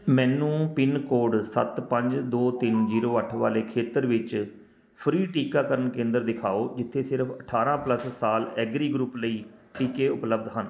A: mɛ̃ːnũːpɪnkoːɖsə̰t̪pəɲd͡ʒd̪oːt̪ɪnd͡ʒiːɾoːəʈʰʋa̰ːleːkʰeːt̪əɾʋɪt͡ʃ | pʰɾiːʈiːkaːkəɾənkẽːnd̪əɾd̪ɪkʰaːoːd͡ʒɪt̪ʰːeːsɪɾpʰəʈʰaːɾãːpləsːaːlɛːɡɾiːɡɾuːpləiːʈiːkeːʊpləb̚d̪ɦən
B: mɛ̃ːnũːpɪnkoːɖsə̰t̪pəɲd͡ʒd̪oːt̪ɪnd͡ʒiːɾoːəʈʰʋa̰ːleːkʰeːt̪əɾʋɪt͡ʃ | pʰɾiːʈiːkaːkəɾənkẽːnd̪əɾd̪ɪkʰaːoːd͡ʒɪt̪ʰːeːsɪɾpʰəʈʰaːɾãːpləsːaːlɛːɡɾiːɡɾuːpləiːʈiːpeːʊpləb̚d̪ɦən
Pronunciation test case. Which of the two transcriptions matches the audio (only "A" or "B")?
A